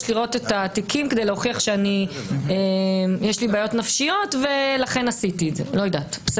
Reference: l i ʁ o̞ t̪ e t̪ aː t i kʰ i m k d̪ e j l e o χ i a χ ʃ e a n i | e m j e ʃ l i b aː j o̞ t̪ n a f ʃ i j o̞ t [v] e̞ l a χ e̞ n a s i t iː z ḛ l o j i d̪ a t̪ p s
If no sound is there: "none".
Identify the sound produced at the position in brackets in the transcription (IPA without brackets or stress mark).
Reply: v